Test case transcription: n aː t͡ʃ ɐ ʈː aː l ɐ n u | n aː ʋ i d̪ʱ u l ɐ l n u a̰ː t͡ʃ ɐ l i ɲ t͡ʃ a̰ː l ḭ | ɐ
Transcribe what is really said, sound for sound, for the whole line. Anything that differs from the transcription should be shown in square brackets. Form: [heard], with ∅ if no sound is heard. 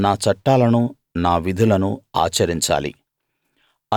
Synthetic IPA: n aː t͡ʃ ɐ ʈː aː l ɐ n u | n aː ʋ i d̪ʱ u l ɐ [∅] n u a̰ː t͡ʃ ɐ [ɾ] i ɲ t͡ʃ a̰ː l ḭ | ɐ

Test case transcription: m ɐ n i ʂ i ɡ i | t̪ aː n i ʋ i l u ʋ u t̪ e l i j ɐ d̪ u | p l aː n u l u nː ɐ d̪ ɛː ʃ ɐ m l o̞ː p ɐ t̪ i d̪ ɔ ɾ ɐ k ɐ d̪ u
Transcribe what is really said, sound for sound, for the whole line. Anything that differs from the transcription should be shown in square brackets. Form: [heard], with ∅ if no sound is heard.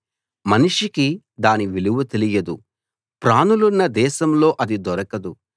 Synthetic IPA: m ɐ n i ʂ i [k] i | [d̪] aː n i ʋ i l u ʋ u t̪ e l i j ɐ d̪ u | p [ɾ] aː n u l u nː ɐ d̪ ɛː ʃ ɐ m l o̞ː [ʔ] ɐ [d̪] i d̪ ɔ ɾ ɐ k ɐ d̪ u

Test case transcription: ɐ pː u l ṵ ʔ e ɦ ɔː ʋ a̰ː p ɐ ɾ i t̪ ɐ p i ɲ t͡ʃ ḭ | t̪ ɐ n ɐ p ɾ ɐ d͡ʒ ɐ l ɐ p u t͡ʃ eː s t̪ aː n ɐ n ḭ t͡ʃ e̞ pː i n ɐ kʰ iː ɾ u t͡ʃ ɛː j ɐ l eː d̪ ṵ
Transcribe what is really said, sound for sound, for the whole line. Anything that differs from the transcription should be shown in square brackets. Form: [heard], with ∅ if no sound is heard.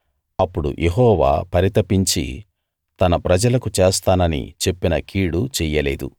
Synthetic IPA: ɐ pː u [ɽ] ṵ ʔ e ɦ ɔː ʋ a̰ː p ɐ ɾ i t̪ ɐ p i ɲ t͡ʃ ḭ | t̪ ɐ n ɐ p ɾ ɐ d͡ʒ ɐ l ɐ [k] u t͡ʃ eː s t̪ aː n ɐ n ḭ t͡ʃ e̞ pː i n ɐ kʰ iː [ɽ] u t͡ʃ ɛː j ɐ l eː d̪ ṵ

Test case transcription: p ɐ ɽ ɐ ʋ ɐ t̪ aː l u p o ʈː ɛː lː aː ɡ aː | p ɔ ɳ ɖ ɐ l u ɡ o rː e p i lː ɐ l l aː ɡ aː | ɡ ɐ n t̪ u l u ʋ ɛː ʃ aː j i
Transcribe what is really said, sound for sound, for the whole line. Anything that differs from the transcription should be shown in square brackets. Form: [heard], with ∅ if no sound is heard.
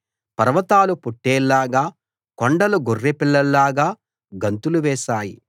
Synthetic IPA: p ɐ [ɾ] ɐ ʋ ɐ t̪ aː l u p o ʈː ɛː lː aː ɡ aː | [k] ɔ ɳ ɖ ɐ l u ɡ o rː e p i lː ɐ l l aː ɡ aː | ɡ ɐ n t̪ u l u ʋ ɛː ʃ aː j i

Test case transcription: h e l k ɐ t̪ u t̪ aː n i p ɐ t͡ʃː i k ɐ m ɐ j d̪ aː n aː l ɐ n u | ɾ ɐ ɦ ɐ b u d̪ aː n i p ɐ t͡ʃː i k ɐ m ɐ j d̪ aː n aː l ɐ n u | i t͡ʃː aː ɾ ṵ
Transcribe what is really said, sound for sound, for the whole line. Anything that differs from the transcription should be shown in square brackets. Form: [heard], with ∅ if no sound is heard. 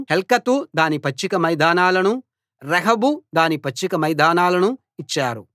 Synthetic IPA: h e l k ɐ t̪ u [d̪] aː n i p ɐ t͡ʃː i k ɐ m ɐ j d̪ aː n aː l ɐ n u | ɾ ɐ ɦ ɐ b u d̪ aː n i p ɐ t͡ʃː i k ɐ m ɐ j d̪ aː n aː l ɐ n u | i t͡ʃː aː ɾ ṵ

